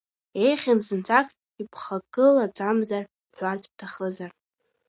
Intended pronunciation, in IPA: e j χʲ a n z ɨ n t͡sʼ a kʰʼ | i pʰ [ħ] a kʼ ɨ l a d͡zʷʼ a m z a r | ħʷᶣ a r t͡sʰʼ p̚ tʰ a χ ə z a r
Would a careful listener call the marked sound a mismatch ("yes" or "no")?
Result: yes